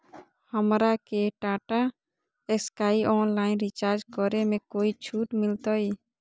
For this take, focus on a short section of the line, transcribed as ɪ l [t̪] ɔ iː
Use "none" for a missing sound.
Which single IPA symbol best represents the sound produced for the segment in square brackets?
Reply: t̪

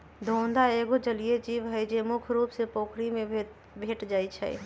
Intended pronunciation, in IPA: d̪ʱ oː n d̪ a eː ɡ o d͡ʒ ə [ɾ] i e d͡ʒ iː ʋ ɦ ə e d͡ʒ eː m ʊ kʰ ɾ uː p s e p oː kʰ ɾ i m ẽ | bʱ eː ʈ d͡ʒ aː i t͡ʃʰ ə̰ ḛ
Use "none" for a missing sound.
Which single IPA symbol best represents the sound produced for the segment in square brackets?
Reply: l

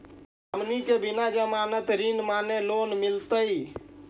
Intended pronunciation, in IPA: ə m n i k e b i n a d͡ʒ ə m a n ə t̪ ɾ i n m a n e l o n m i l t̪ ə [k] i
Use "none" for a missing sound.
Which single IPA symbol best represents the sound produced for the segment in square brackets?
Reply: none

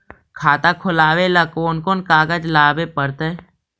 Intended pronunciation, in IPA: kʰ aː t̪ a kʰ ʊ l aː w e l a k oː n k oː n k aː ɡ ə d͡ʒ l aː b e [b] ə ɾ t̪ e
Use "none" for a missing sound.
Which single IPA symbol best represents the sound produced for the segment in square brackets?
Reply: p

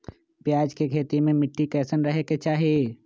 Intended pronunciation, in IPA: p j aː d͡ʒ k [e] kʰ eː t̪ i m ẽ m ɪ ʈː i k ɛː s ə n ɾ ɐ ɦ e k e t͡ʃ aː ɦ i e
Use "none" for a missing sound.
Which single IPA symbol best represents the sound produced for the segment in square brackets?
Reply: e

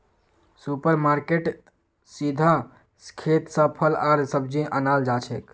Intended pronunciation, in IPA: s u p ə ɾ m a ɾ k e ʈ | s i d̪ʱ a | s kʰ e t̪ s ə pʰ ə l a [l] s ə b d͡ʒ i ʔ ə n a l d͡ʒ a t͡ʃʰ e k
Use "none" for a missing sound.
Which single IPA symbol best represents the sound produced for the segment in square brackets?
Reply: ɾ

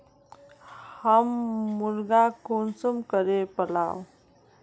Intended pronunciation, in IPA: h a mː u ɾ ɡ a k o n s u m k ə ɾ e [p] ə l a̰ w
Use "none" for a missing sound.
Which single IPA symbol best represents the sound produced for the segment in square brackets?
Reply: p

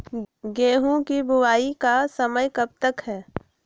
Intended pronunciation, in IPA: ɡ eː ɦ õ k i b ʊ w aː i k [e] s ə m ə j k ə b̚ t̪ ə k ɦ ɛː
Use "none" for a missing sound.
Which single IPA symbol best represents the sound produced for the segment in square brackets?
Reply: a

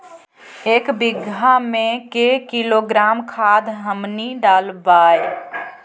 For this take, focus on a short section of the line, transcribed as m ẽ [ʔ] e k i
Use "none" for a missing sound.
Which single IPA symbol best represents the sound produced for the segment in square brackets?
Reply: k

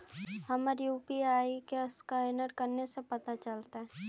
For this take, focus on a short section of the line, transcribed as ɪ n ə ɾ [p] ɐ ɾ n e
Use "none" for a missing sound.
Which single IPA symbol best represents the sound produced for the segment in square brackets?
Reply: k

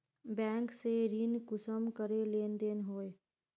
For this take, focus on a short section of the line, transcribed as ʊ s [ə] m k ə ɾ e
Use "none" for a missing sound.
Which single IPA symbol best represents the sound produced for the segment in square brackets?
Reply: ə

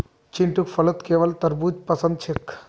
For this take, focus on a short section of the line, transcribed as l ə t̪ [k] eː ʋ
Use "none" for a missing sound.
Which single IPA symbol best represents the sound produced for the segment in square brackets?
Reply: k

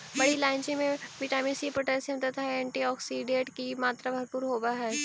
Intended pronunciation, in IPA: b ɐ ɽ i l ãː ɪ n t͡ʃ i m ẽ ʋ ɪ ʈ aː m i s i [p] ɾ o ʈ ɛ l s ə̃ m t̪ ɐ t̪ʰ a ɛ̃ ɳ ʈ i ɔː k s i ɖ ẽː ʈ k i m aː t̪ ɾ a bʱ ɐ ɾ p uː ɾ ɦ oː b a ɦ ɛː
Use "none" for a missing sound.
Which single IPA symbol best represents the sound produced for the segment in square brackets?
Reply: p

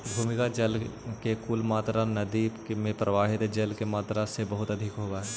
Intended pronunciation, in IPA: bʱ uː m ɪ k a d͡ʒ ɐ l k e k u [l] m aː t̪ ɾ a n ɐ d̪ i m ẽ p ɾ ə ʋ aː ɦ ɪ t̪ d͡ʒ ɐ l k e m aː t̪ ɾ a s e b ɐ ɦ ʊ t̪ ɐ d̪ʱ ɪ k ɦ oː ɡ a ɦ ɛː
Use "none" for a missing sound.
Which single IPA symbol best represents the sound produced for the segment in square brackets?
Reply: l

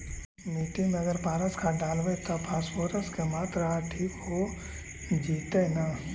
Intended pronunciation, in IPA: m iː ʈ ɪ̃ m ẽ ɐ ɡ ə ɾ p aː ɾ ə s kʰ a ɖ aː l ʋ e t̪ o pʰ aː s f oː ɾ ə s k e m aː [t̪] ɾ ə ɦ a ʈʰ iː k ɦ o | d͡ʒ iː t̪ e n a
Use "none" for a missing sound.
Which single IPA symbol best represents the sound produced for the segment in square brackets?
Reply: t̪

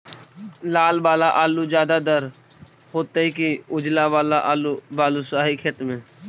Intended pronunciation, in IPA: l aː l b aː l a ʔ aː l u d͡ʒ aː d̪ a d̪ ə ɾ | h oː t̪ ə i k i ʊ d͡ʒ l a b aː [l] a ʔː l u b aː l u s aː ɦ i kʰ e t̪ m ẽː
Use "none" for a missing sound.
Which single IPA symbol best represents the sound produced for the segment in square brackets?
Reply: l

